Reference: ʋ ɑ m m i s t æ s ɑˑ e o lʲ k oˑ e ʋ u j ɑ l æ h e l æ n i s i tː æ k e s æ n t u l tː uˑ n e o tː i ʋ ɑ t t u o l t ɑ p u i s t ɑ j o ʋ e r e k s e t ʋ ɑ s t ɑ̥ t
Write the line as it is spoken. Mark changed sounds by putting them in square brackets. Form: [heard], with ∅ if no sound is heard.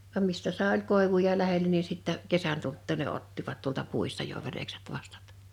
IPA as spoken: ʋ ɑ m m i s t æ s ɑˑ e o lʲ k oˑ e ʋ u j ɑ l æ h e l æ n i s i tː æ k e s æ n t u l tː uˑ n e o tː i ʋ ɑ t t u o l t ɑ p u i s t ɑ j o ʋ e r e k s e t ʋ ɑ s t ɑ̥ t

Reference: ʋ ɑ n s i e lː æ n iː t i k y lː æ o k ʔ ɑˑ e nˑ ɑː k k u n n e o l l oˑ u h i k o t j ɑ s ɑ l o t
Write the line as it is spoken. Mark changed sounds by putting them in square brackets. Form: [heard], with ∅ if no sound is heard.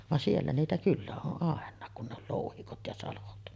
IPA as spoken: ʋ ɑ n s i e lː æ n iː t [æ] k y lː æ o [ʔ] ʔ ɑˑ e nˑ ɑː k k u n n e o l l oˑ u h i k o t j ɑ s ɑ l o t

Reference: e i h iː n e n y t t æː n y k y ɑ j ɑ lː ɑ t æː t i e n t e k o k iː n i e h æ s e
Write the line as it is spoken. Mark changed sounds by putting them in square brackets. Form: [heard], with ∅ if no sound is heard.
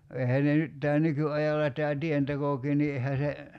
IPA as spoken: e i h [æː] n e n y t t æː n y k y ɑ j ɑ lː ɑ t æː t i e n t e k o k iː n i e h æ s e

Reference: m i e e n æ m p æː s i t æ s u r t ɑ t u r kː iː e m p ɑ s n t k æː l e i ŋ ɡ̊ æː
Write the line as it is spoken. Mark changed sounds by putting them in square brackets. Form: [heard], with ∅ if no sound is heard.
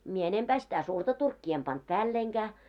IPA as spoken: m i e e n [e] m p æː s i t æ s u r t ɑ t u r kː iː e m p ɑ [∅] n t [p] æː [lː] e i ŋ ɡ̊ æː

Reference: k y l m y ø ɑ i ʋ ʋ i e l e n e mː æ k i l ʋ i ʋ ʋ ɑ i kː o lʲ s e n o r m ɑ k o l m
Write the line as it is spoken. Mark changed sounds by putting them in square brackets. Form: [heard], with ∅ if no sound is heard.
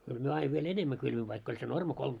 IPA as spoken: k y l m y ø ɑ i ʋ ʋ i e l e n e mː æ k [y] l ʋ i ʋ ʋ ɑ i kː o lʲ s e n o r m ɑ k o l m

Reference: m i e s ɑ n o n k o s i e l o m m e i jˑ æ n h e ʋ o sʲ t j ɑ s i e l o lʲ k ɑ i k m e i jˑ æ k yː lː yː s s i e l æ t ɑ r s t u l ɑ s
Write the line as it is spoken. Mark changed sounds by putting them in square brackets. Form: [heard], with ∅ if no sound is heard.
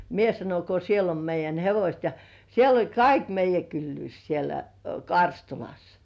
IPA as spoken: m i e s ɑ n o n k o s i e l o m m e i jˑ æ n h e ʋ o sʲ t j ɑ s i e l o lʲ k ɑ i k m e i jˑ æ k [y] lː yː s s i e l æ [k] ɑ r s t u l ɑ s

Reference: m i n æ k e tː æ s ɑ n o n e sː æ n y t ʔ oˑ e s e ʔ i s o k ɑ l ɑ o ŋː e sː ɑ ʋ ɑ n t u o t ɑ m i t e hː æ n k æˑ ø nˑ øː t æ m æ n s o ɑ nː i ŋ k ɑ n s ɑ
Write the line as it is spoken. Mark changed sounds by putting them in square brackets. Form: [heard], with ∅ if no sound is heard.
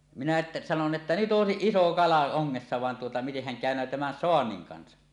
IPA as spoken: m i n æ [ʔ] e tː æ s ɑ n o n e [tː] æ n y t ʔ oˑ e s [i] ʔ i s o k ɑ l ɑ o ŋː e sː ɑ ʋ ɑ n t u o t ɑ m i t e hː æ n k æˑ ø nˑ øː t æ m æ n s o ɑ nː i ŋ k ɑ n s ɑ

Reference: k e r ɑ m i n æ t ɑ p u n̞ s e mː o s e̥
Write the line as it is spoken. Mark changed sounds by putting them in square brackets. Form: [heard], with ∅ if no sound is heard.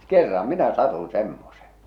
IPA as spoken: k e [rː] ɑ m i n æ [s] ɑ [t] u n̞ s e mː o s e̥

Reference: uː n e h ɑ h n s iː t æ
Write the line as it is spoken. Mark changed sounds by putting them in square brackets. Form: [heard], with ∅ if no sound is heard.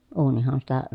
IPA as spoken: uː n [i] h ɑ [∅] n s [i] t æ

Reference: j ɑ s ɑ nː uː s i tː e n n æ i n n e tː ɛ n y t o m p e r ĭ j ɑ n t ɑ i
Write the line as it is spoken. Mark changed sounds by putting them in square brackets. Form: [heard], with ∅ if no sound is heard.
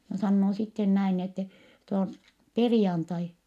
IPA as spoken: j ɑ s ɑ nː [oː] s i tː e n n æ i n n e tː ɛ n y t o m p e r ĭ j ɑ n t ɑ i

